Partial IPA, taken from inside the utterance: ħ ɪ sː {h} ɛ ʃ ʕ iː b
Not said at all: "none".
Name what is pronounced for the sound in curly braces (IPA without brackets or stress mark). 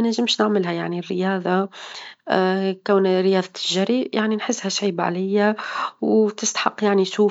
h